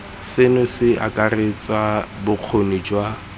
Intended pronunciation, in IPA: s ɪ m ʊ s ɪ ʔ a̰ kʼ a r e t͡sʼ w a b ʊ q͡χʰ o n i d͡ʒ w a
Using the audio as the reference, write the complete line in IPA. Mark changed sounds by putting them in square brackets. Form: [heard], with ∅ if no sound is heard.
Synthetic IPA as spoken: s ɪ [n] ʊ s ɪ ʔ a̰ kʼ a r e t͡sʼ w a b ʊ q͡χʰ o n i d͡ʒ w a